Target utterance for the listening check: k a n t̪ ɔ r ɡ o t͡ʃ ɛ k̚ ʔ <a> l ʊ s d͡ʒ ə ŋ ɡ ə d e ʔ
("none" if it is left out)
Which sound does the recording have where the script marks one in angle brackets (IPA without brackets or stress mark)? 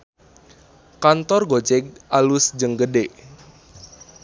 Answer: a